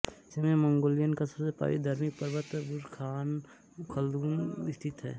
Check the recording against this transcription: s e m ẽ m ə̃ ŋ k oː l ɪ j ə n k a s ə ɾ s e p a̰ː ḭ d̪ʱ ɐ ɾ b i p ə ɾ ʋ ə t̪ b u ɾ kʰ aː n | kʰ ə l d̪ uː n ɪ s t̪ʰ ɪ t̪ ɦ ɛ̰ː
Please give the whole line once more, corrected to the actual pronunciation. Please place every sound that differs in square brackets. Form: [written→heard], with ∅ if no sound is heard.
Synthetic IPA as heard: s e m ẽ m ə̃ ŋ [k→ɡ] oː l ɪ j ə n k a s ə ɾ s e p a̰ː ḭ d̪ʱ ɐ ɾ [b→m] i p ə ɾ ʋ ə t̪ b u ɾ kʰ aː n | kʰ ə l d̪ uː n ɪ s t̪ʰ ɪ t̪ ɦ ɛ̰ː